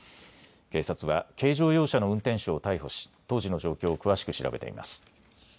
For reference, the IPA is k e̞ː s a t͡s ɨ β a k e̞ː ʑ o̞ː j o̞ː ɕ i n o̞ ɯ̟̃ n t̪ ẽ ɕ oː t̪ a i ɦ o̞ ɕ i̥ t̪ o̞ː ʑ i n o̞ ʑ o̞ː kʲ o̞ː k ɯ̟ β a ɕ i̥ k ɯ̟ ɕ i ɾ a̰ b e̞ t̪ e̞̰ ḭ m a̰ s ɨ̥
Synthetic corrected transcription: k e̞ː s a t͡s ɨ β a k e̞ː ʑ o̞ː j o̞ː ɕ a n o̞ ɯ̟̃ n t̪ ẽ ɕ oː t̪ a i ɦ o̞ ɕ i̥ t̪ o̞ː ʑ i n o̞ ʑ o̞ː kʲ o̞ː k ɯ̟ β a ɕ i̥ k ɯ̟ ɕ i ɾ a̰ b e̞ t̪ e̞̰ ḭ m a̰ s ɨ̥

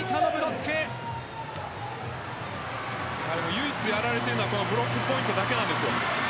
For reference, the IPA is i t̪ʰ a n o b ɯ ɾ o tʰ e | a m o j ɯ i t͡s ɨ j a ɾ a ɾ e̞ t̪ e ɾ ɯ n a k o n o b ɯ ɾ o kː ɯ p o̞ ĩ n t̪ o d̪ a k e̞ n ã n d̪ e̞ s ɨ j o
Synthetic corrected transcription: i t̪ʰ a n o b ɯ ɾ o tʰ e | a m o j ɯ i t͡s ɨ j a ɾ a ɾ e̞ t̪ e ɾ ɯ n a k o n o b ɯ ɾ o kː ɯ p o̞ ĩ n t̪ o d̪ a k e̞ n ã n d̪ e̞ s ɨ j o

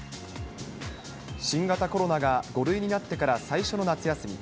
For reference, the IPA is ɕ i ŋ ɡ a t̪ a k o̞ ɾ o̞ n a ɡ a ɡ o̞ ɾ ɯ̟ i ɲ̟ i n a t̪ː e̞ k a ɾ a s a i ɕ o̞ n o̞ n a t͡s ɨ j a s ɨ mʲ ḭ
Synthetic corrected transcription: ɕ ĩ ŋ ɡ a t̪ a k o̞ ɾ o̞ n a ɡ a ɡ o̞ ɾ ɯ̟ i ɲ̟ i n a t̪ː e̞ k a ɾ a s a i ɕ o̞ n o̞ n a t͡s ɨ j a s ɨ mʲ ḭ

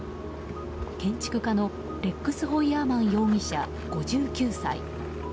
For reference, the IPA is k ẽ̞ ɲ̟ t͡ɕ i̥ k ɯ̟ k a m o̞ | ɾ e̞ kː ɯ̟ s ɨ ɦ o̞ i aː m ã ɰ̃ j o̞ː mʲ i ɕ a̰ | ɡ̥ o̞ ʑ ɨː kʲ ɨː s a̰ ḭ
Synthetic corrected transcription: k ẽ̞ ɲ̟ t͡ɕ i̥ k ɯ̟ k a n o̞ | ɾ e̞ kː ɯ̟ s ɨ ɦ o̞ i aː m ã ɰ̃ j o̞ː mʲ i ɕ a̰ | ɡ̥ o̞ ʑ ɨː kʲ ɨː s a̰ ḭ

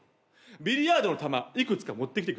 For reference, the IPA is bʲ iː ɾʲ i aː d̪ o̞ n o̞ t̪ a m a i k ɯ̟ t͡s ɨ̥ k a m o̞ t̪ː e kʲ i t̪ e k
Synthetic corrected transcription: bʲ i ɾʲ i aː d̪ o̞ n o̞ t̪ a m a i k ɯ̟ t͡s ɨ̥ k a m o̞ t̪ː e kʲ i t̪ e k

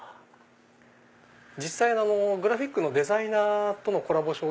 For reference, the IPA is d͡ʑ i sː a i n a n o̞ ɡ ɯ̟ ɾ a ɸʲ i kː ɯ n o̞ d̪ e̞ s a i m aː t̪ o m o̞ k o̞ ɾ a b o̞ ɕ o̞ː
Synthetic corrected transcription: d͡ʑ i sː a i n a n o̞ ɡ ɯ̟ ɾ a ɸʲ i kː ɯ n o̞ d̪ e̞ z a i n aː t̪ o n o̞ k o̞ ɾ a b o̞ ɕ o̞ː

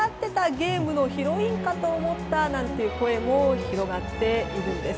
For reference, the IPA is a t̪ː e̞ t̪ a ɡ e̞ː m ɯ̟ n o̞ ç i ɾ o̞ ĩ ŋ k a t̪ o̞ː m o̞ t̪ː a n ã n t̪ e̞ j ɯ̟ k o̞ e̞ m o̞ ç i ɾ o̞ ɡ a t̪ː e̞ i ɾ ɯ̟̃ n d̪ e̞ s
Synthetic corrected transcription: a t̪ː e̞ t̪ a ɡ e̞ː m ɯ̟ n o̞ ç i ɾ o̞ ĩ ŋ k a t̪ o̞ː m o̞ t̪ː a n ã n t̪ e̞ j ɯ̟ k o̞ e̞ m o̞ ç i ɾ o̞ ɡ a t̪ː e̞ i ɾ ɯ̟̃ n d̪ e̞ s

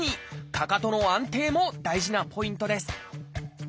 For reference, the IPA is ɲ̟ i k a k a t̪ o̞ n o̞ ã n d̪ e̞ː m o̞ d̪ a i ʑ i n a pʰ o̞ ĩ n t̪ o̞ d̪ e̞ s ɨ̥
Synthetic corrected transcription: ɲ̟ i k a k a t̪ o̞ n o̞ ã n t̪ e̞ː m o̞ d̪ a i ʑ i n a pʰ o̞ ĩ n t̪ o̞ d̪ e̞ s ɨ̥

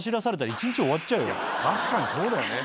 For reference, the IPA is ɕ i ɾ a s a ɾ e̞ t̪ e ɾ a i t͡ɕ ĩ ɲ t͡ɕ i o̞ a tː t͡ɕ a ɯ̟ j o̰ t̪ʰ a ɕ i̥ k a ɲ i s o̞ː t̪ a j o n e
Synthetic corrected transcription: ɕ i ɾ a s a ɾ e̞ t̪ a ɾ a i t͡ɕ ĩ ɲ t͡ɕ i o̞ a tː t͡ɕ a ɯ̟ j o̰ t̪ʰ a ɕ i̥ k a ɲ i s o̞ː d̪ a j o n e

